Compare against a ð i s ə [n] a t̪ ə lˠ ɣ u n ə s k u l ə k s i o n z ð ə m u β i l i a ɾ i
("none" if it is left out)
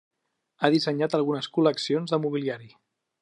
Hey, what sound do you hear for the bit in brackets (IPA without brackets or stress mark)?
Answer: ɲ